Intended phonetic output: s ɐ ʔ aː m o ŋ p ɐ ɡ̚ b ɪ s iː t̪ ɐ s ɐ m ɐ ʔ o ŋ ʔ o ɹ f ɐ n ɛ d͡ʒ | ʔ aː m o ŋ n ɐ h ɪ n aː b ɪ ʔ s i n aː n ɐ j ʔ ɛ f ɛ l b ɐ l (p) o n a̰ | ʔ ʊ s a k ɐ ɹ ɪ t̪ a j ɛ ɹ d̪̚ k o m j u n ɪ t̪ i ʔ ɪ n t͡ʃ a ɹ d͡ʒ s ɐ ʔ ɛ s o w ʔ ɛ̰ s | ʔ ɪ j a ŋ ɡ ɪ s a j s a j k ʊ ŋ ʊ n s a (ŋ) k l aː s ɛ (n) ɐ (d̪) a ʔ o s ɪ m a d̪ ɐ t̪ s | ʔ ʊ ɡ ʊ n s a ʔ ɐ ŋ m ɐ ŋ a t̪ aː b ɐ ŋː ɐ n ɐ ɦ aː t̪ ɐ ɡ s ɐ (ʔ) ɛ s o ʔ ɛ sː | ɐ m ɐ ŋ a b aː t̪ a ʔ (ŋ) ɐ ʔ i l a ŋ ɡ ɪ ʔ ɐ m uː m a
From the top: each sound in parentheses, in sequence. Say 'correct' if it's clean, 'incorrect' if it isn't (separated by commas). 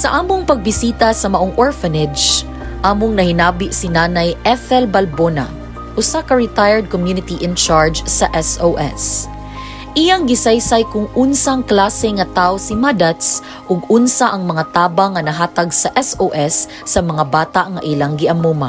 incorrect, correct, incorrect, incorrect, correct, correct